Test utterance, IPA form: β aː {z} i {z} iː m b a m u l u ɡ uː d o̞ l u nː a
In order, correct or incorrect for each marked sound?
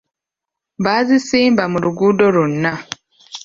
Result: correct, incorrect: s

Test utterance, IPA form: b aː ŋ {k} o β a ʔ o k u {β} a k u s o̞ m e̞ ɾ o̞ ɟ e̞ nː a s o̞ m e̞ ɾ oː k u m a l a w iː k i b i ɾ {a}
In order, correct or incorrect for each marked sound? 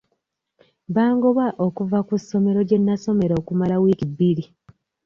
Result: incorrect: ɡ, incorrect: v, incorrect: i

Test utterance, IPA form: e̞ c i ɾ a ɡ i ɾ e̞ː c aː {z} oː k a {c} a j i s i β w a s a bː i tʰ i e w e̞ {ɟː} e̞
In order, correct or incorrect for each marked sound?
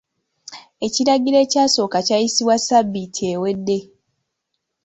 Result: incorrect: s, correct, incorrect: dː

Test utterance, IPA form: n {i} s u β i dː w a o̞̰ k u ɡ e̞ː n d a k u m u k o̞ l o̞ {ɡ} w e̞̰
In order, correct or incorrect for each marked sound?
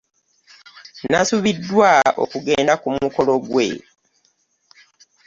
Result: incorrect: a, correct

